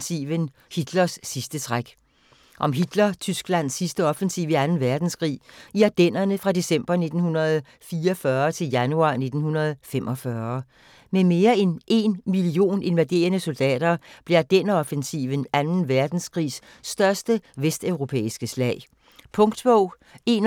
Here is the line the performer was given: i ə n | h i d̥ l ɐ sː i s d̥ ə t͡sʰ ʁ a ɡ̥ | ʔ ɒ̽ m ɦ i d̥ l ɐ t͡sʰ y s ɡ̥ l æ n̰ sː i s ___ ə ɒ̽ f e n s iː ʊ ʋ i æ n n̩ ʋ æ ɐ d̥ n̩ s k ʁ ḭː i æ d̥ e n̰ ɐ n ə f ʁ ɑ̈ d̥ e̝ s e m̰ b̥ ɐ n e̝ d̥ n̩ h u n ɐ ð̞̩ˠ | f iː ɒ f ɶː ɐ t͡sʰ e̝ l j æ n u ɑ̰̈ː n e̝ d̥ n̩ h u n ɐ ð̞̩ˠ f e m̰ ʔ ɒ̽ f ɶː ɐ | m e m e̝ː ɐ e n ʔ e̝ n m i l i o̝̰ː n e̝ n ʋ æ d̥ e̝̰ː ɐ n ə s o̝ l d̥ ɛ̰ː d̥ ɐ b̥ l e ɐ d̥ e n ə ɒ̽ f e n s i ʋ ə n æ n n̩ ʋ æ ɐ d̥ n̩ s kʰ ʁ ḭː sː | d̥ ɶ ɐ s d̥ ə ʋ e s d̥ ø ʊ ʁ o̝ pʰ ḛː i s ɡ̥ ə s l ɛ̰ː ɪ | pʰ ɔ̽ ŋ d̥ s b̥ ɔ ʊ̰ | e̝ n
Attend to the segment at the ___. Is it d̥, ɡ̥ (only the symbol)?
d̥